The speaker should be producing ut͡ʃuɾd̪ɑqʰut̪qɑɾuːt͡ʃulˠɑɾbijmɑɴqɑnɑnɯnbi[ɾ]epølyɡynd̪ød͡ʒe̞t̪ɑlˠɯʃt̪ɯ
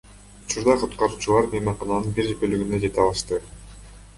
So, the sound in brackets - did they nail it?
yes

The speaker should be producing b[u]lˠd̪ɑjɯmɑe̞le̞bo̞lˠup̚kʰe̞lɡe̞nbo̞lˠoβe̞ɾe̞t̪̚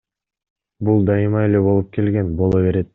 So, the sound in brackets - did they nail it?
yes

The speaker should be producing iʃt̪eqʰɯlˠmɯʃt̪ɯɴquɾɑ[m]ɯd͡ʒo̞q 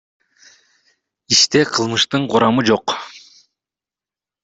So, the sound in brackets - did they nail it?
yes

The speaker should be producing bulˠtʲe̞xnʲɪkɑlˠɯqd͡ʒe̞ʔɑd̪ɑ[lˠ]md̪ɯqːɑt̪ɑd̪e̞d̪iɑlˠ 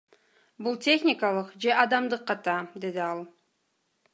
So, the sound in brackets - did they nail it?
no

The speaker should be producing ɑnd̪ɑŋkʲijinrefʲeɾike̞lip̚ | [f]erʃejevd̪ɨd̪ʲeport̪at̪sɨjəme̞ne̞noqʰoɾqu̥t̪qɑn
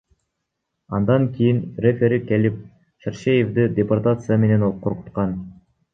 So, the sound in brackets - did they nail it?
no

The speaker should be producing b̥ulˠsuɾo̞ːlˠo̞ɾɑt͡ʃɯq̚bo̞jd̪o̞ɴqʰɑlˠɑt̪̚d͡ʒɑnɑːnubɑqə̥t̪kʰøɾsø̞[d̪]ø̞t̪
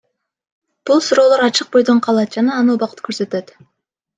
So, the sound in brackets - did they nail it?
no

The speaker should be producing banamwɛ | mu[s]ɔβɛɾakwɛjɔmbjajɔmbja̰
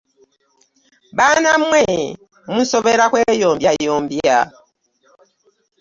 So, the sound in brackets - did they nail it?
yes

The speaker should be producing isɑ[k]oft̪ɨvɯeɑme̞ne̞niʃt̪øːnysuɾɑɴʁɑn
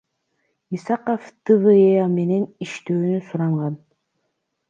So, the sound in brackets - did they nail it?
no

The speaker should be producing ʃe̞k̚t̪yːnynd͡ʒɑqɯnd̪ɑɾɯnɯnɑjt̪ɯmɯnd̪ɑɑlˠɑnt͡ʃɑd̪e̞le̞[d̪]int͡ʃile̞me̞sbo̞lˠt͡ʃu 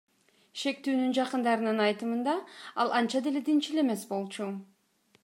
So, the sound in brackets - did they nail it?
yes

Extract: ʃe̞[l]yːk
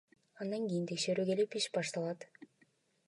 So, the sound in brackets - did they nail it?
no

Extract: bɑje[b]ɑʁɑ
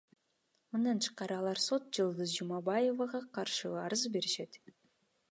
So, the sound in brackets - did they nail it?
no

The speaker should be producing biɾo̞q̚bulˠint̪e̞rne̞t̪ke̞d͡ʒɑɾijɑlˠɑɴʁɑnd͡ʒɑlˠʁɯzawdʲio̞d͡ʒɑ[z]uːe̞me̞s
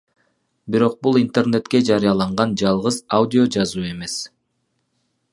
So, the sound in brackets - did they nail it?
yes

